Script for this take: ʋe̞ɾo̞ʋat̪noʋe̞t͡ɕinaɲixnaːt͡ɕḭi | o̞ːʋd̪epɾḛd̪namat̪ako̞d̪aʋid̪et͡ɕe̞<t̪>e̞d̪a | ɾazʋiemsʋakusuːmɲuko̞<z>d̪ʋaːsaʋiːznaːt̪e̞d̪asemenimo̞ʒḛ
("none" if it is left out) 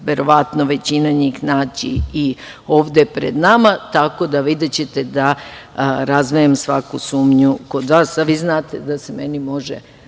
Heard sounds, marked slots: t̪, none

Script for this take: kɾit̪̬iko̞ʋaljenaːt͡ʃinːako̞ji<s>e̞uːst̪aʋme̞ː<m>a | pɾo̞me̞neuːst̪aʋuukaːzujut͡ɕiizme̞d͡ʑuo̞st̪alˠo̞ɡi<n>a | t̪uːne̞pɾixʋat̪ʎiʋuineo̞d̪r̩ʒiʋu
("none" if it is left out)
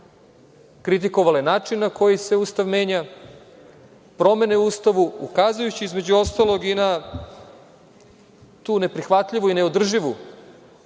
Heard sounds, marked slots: s, ɲ, n

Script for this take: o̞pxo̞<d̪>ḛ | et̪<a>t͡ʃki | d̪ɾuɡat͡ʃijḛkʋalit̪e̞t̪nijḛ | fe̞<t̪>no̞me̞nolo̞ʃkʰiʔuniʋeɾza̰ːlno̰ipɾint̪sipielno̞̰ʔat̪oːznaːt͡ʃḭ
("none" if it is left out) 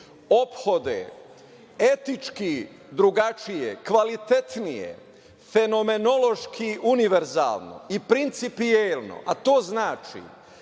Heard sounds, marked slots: d̪, i, none

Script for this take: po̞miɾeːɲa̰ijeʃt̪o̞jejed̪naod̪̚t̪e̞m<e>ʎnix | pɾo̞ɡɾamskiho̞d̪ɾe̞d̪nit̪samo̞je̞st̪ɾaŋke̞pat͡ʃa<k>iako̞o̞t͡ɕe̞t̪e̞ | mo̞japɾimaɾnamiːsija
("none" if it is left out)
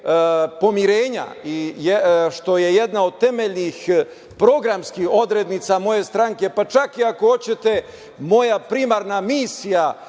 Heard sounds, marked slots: e, k

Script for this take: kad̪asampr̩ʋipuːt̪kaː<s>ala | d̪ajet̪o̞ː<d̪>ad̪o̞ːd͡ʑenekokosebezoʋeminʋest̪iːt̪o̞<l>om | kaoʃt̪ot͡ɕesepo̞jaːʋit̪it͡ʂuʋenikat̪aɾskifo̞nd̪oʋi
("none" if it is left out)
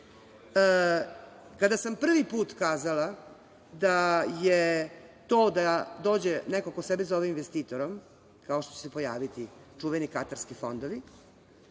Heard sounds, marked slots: z, d̪, ɾ

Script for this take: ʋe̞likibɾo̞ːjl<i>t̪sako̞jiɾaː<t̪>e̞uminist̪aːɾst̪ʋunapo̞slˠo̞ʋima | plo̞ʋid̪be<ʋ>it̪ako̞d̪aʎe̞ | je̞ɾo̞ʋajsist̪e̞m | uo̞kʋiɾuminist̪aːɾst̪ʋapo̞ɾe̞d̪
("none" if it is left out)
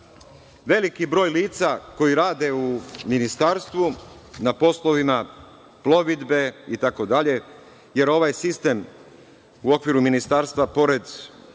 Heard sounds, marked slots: iː, d̪, none

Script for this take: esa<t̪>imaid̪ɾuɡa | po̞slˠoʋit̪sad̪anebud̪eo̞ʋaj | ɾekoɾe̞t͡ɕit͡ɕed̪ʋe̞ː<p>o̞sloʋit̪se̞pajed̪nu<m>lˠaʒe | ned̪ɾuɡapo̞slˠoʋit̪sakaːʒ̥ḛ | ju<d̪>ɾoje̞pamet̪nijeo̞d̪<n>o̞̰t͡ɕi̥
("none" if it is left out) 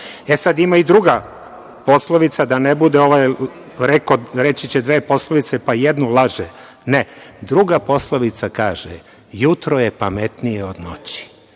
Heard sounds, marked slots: d̪, p, none, t̪, n

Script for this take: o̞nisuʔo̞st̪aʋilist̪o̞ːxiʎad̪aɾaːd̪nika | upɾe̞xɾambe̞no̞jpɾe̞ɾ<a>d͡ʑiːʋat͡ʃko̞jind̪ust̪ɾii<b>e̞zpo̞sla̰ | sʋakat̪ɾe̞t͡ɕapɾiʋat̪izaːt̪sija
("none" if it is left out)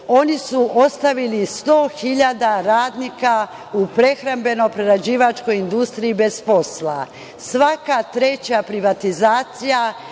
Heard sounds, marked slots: a, b

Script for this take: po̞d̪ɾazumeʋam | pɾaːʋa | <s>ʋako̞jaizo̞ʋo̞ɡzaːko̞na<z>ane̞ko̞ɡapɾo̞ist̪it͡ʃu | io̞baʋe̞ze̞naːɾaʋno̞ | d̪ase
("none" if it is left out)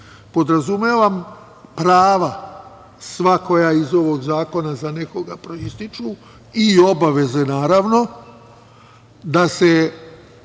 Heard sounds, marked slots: s, z

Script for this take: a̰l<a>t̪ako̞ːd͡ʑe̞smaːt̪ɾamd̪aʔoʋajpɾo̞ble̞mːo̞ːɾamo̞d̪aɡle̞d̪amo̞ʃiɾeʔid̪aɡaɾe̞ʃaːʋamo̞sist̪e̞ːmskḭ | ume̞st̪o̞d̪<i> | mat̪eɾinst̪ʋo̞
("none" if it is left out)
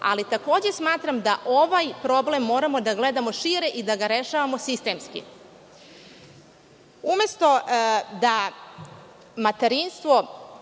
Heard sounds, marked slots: i, a

